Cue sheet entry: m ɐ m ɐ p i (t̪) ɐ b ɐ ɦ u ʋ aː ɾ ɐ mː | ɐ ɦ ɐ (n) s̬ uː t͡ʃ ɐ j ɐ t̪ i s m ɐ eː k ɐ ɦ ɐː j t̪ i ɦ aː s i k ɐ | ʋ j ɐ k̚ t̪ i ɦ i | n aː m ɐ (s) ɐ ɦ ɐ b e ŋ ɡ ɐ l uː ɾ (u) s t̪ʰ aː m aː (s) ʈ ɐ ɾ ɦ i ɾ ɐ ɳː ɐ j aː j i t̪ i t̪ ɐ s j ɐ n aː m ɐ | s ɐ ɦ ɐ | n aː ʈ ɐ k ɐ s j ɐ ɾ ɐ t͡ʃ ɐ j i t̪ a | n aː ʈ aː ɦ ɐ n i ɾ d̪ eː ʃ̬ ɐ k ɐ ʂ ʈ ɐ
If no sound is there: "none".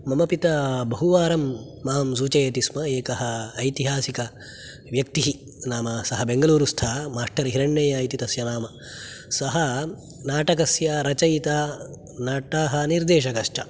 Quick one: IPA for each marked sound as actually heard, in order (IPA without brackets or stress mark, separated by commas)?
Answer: t̪, m, s, u, ʂ